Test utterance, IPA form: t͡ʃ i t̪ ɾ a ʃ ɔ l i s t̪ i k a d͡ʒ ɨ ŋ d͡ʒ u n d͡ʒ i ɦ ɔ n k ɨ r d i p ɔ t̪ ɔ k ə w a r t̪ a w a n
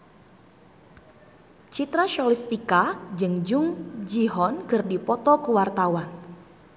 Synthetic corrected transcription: t͡ʃ i t̪ ɾ a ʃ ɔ l i s t̪ i k a d͡ʒ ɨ ŋ d͡ʒ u ŋ d͡ʒ i ɦ ɔ n k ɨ r d i p ɔ t̪ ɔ k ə w a r t̪ a w a n